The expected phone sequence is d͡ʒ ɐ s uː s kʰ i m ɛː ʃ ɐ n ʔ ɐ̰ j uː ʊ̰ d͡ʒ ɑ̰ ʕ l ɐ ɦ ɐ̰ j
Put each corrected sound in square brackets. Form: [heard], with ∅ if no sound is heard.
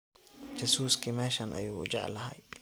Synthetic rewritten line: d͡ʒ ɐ s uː s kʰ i m ɛː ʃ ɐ n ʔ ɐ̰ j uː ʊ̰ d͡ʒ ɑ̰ ʕ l ɐ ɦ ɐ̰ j